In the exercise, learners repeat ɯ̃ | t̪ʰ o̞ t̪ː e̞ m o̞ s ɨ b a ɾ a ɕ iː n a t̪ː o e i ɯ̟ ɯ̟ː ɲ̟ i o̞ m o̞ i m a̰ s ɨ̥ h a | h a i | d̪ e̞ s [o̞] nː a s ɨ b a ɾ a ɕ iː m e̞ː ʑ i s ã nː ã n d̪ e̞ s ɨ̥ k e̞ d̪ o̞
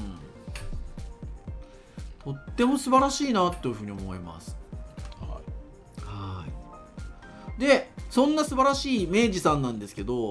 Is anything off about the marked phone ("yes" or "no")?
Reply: yes